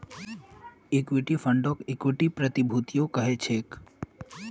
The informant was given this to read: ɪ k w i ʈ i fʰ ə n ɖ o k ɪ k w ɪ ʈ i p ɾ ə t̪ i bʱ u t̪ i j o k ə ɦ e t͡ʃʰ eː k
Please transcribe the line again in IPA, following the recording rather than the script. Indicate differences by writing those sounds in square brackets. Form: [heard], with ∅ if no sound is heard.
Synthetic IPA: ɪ k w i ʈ i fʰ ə [ɳ] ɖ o k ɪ k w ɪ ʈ i p ɾ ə t̪ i bʱ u t̪ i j o k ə ɦ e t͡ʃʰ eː k